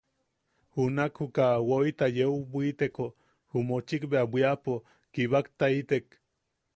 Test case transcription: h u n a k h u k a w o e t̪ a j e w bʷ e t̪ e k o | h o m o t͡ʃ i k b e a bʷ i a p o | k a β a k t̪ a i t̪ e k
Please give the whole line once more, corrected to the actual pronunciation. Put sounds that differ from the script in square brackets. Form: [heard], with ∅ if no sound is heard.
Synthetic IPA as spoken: h u n a k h u k a w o [i] t̪ a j e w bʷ [i] t̪ e k o | h [u] m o t͡ʃ i k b e a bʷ i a p o | k [i] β a k t̪ a i t̪ e k